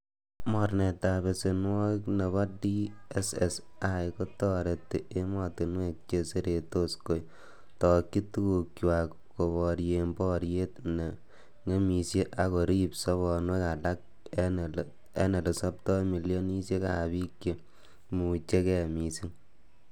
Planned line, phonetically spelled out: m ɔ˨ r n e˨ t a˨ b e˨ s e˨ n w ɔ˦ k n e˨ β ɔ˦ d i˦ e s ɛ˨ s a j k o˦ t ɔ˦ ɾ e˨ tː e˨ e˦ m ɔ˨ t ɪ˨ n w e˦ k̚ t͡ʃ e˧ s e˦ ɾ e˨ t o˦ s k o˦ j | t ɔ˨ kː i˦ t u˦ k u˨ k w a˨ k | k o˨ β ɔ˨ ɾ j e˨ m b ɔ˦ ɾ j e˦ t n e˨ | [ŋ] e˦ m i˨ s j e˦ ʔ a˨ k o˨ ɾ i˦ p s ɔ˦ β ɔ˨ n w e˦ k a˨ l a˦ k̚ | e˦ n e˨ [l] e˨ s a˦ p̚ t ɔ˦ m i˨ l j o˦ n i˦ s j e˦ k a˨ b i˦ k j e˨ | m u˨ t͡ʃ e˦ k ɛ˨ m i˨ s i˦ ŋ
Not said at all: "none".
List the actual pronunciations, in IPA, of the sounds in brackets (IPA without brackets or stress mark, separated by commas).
ŋ, l